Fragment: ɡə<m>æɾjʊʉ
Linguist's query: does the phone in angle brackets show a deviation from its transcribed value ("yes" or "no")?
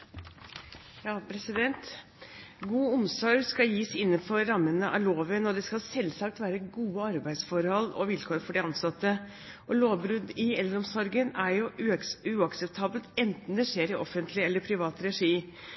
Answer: yes